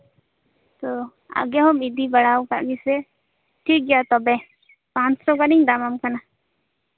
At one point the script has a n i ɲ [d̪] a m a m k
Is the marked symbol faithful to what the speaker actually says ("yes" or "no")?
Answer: yes